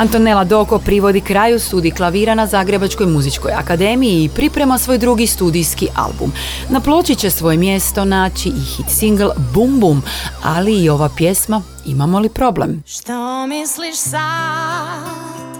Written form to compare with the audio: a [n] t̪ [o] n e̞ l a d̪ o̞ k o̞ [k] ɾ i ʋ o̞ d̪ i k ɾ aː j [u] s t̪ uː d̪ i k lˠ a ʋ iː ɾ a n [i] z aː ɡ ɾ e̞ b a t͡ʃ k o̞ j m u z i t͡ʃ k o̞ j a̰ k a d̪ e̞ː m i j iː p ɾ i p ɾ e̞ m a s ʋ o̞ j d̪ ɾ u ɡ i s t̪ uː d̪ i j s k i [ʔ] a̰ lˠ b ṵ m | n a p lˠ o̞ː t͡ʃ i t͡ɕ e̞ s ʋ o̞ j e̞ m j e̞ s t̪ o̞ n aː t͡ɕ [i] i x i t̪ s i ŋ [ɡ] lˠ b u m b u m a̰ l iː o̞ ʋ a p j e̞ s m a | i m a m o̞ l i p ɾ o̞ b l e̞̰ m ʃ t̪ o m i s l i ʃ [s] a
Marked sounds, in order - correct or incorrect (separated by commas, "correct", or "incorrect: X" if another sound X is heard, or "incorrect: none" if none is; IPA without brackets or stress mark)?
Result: correct, correct, incorrect: p, correct, incorrect: a, correct, correct, correct, correct